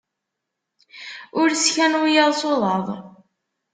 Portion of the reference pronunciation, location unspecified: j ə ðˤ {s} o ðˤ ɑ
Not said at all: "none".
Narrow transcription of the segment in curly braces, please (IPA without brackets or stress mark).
s